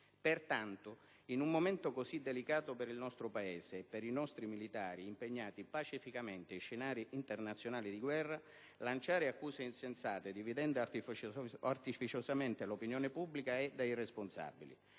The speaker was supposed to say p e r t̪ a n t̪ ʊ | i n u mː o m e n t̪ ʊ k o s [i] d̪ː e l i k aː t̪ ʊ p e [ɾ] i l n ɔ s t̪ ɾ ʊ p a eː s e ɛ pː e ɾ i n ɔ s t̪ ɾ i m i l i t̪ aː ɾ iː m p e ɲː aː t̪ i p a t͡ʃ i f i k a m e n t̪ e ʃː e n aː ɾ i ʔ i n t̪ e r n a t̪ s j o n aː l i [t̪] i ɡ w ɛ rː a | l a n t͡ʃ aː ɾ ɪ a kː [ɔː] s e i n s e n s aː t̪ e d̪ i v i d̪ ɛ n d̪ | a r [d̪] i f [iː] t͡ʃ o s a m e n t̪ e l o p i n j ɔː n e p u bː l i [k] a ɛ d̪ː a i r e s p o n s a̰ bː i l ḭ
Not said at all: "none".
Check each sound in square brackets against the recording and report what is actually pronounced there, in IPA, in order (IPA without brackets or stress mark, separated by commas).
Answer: i, ɾ, d̪, uː, t̪, i, k